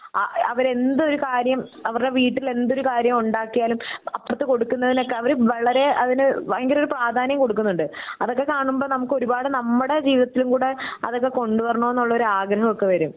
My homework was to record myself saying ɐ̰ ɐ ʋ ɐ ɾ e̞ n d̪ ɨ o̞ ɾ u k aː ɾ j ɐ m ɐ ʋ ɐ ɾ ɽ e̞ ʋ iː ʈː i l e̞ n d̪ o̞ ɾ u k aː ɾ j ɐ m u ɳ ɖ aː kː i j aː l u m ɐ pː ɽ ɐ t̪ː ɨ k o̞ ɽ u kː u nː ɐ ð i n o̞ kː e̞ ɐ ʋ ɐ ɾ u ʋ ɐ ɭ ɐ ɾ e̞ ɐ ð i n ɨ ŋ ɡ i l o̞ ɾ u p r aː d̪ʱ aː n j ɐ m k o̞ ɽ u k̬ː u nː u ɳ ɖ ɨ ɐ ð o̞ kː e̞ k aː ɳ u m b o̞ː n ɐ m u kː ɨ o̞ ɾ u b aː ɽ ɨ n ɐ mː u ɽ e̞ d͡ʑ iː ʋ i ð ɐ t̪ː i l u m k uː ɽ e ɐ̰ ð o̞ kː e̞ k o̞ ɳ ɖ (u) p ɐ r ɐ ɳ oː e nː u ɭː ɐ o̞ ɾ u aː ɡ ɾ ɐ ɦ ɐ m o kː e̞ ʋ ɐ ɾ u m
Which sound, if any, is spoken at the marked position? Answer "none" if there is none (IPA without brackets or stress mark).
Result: u